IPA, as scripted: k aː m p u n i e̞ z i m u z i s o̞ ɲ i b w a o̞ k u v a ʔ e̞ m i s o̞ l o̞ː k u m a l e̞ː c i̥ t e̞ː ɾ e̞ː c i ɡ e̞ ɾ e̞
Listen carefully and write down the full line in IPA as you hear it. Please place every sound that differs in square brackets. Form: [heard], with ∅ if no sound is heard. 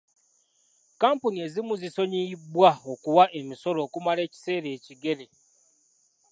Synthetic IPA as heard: k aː m p u n i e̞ z i m u z i s o̞ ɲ i b w a o̞ k u [w] a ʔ e̞ m i s o̞ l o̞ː k u m a l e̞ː c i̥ [s] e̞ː ɾ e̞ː c i ɡ e̞ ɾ e̞